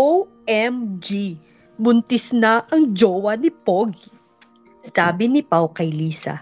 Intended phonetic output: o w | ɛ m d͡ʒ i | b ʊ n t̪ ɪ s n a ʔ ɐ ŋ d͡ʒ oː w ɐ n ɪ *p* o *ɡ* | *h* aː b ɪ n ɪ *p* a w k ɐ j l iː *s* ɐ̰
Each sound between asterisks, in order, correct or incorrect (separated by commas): correct, correct, incorrect, correct, correct